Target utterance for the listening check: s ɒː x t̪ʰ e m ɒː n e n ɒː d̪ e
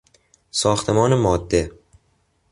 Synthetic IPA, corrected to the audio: s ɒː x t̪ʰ e m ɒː n e m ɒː d̪ː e